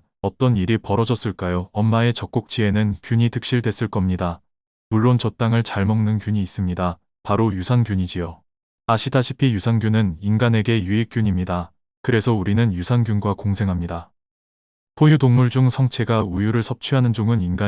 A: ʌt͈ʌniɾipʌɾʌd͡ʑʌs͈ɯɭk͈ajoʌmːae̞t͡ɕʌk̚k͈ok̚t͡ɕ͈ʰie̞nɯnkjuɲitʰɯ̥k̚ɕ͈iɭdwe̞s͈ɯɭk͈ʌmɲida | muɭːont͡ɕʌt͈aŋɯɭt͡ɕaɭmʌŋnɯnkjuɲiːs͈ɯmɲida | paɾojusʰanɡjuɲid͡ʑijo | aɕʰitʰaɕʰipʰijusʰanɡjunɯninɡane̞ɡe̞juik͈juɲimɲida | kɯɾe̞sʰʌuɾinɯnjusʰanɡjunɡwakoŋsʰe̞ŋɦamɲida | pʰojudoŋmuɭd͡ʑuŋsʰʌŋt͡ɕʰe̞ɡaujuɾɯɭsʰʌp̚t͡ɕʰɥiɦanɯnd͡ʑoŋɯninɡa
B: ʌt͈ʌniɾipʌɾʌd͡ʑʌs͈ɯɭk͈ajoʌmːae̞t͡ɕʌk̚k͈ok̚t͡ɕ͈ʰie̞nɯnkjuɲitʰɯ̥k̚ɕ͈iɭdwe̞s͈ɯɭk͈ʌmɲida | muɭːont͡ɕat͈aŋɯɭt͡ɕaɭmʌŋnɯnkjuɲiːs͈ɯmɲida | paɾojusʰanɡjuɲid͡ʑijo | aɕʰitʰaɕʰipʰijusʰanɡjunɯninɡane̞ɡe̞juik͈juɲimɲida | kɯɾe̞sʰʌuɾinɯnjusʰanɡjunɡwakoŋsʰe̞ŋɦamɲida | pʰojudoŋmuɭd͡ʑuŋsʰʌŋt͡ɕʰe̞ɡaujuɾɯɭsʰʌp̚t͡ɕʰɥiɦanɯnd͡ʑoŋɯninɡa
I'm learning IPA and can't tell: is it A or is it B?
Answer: A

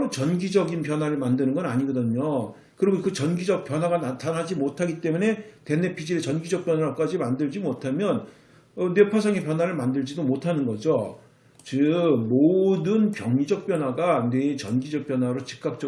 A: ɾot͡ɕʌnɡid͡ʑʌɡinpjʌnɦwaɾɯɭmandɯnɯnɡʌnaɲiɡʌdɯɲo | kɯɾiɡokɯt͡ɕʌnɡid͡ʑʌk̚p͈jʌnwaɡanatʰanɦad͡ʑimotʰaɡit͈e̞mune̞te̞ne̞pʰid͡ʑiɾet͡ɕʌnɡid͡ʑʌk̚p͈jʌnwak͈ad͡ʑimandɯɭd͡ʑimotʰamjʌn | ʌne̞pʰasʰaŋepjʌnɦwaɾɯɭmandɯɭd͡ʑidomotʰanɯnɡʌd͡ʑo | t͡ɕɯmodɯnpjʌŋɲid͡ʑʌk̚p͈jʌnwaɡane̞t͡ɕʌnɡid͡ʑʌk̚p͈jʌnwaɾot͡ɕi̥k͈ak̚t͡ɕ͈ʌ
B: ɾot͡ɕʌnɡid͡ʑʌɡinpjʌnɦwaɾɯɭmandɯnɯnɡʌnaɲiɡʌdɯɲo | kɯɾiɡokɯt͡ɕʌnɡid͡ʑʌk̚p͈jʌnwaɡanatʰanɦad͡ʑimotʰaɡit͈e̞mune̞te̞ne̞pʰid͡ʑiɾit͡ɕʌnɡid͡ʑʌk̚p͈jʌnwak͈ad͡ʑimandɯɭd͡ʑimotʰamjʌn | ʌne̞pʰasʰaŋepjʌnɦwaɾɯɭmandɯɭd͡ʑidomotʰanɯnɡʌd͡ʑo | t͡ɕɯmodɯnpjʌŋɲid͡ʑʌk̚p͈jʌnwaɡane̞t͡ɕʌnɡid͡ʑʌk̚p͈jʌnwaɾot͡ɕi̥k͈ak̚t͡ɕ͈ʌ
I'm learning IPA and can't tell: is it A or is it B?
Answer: A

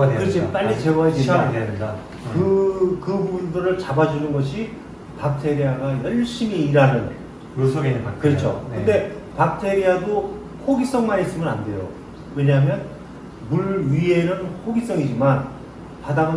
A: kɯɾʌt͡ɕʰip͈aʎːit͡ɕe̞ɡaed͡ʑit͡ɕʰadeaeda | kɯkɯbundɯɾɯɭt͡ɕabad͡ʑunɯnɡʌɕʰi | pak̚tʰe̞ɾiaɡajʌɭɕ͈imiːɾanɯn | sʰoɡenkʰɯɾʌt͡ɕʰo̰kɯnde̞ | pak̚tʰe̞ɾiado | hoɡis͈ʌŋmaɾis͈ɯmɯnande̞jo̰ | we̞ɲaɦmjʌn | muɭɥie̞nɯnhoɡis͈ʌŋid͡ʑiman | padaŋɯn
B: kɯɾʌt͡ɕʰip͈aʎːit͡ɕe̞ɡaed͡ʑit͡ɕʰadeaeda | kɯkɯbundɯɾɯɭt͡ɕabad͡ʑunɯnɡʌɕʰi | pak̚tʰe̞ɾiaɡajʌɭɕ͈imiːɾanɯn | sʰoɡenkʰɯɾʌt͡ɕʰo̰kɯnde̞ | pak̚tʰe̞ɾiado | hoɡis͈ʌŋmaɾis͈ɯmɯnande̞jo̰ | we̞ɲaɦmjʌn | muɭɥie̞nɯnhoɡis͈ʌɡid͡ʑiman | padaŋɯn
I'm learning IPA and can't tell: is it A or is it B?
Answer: A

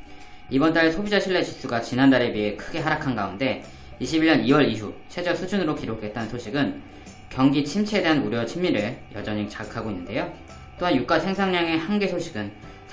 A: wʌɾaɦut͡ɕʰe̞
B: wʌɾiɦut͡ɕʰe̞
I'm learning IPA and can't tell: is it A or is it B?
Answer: B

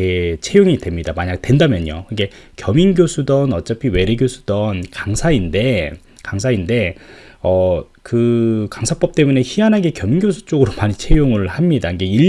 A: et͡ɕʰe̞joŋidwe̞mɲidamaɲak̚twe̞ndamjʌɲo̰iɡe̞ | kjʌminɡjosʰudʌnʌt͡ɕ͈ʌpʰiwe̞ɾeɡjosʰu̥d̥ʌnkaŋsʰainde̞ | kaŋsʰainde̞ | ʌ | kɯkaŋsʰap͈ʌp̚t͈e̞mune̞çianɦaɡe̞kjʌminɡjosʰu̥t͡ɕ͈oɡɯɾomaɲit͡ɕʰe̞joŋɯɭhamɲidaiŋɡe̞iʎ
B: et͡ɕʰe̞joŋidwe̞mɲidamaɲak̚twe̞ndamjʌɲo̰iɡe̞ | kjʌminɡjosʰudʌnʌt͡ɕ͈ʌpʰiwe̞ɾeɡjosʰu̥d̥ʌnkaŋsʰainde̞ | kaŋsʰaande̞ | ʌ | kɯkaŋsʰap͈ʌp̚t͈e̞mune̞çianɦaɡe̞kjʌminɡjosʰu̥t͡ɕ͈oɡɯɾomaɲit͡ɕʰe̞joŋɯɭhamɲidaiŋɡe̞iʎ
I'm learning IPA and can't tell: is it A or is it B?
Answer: A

